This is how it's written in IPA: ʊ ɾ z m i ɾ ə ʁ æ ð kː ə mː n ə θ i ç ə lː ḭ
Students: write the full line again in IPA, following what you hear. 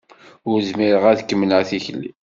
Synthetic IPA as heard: ʊ ɾ z m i ɾ ə ʁ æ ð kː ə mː n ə θ i ç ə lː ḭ